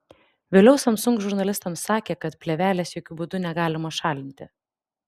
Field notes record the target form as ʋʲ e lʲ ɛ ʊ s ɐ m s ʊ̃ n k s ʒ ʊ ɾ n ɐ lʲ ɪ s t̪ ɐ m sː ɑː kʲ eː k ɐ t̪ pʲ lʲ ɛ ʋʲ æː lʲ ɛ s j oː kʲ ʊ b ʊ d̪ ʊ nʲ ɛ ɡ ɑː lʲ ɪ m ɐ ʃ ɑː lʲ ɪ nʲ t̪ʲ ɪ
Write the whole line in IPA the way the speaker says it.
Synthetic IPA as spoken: ʋʲ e lʲ ɛ ʊ s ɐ m s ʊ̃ ŋ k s ʒ ʊ ɾ n ɐ lʲ ɪ s t̪ ɐ m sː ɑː kʲ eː k ɐ t̪ pʲ lʲ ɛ ʋʲ æː lʲ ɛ s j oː kʲ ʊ b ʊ d̪ ʊ nʲ ɛ ɡ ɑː lʲ ɪ m ɐ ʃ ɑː lʲ ɪ nʲ t̪ʲ ɪ